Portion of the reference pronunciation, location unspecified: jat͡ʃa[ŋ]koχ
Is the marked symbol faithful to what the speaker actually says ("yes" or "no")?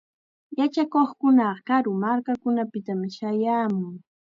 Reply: no